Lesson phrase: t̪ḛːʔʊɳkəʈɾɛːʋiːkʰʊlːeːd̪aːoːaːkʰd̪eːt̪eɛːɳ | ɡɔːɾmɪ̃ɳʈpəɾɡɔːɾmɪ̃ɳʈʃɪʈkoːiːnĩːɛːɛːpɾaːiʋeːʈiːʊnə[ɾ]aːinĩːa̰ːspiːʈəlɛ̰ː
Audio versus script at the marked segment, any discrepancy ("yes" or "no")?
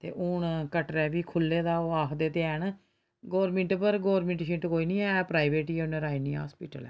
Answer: no